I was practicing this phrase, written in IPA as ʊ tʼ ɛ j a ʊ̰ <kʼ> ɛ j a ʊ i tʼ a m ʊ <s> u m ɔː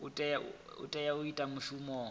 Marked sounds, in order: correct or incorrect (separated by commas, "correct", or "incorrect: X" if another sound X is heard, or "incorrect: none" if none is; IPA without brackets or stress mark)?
incorrect: tʼ, incorrect: ʃ